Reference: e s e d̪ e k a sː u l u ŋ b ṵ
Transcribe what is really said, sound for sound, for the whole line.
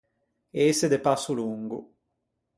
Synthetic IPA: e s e d̪ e p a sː u l u ŋ ɡ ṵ